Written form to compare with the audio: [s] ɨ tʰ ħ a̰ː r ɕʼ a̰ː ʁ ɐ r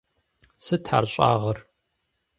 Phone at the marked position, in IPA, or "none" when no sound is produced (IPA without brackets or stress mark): s